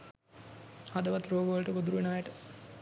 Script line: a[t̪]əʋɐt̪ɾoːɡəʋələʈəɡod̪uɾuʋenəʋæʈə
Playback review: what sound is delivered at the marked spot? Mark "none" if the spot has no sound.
d̪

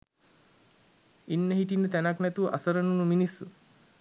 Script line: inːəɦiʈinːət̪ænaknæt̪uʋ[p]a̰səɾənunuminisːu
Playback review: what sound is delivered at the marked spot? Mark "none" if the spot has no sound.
ʔ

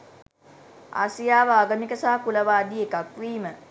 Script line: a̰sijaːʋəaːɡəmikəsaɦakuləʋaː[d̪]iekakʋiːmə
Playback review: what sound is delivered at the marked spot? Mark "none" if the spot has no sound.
d̪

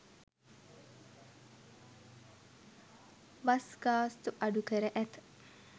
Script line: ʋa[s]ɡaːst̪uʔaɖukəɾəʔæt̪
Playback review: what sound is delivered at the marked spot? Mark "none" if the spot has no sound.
s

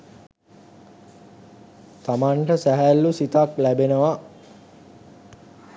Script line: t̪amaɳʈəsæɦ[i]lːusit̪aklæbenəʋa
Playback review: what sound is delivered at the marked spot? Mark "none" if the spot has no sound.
æ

